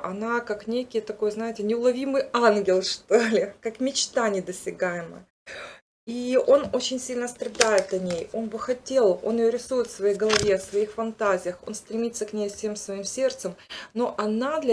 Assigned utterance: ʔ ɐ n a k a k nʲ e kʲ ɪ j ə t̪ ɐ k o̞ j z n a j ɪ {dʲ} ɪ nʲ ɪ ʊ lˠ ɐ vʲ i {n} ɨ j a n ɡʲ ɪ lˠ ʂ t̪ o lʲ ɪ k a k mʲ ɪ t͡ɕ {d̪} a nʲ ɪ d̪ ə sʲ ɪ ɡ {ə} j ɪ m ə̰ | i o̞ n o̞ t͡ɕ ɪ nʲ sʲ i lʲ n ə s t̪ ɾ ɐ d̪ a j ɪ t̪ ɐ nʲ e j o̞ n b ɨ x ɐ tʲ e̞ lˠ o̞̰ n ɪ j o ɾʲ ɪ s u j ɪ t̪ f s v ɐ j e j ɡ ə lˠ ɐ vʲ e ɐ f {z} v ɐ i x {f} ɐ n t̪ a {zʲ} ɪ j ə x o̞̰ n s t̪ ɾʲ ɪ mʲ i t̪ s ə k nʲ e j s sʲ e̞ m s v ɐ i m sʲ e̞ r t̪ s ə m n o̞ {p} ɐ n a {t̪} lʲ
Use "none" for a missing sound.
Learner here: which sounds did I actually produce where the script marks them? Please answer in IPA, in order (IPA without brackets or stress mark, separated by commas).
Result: tʲ, m, t̪, a, s, f, zʲ, ʔ, d̪